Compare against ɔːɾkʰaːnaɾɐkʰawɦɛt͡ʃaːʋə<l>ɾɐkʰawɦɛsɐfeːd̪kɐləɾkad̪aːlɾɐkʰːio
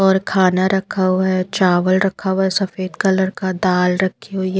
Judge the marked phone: correct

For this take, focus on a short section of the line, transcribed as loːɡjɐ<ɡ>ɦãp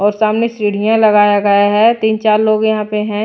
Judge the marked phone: incorrect: none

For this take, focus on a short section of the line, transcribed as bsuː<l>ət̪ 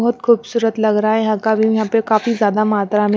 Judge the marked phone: incorrect: ɾ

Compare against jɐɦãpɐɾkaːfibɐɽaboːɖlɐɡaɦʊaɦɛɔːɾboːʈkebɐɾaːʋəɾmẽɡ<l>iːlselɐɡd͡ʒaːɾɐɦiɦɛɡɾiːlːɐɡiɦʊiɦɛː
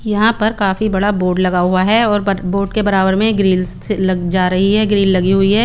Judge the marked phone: incorrect: ɾ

